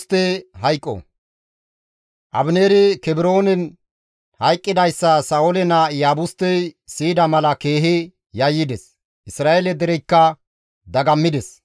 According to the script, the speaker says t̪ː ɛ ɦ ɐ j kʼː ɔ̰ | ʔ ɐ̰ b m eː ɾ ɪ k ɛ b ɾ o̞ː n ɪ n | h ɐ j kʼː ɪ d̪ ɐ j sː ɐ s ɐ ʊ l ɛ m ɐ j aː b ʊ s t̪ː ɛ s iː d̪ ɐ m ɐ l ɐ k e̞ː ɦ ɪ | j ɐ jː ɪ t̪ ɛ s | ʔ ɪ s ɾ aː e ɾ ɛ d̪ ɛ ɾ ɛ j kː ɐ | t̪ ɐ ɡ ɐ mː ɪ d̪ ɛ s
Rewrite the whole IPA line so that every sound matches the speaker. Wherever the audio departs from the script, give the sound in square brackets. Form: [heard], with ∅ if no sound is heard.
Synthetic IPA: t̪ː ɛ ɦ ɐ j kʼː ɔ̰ | ʔ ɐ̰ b [n] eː ɾ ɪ k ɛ b ɾ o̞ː n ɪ n | h ɐ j kʼː ɪ d̪ ɐ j sː ɐ s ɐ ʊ l ɛ [n] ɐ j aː b ʊ s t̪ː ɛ s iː d̪ ɐ m ɐ l ɐ k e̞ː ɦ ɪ | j ɐ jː ɪ [d̪] ɛ s | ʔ ɪ s ɾ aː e [l] ɛ d̪ ɛ ɾ ɛ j kː ɐ | [d̪] ɐ ɡ ɐ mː ɪ d̪ ɛ s